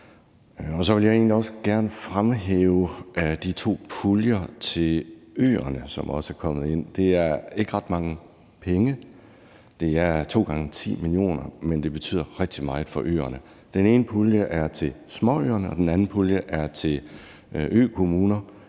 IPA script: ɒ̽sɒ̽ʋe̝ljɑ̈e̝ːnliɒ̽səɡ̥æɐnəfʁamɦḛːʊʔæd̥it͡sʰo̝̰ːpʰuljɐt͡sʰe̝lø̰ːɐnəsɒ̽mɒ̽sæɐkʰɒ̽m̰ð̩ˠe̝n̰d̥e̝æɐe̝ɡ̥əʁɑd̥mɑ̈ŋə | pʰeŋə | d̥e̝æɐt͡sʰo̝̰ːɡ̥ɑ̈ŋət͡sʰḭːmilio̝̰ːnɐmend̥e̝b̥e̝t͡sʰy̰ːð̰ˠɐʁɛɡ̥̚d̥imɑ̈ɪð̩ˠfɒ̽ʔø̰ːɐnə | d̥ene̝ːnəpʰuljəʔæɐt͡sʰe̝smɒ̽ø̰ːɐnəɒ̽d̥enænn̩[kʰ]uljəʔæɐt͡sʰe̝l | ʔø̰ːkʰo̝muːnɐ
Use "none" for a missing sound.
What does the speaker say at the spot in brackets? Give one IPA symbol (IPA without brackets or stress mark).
pʰ